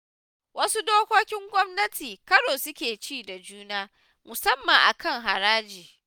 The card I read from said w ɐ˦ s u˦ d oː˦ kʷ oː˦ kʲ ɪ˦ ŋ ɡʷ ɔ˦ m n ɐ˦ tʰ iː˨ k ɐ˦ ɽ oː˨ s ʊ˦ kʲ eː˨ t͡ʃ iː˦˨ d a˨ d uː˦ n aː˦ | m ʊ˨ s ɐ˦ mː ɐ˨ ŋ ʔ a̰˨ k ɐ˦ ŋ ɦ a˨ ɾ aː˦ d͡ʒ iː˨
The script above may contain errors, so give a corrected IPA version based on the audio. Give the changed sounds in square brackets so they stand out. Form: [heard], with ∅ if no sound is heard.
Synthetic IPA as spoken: w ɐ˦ s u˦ d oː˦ kʷ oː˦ kʲ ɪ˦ ŋ ɡʷ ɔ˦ m n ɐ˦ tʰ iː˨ k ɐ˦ ɽ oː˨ s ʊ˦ kʲ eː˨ t͡ʃ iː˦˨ d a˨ [d͡ʒ] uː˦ n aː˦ | m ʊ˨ s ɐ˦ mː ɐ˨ ŋ ʔ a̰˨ k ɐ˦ ŋ ɦ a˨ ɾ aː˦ d͡ʒ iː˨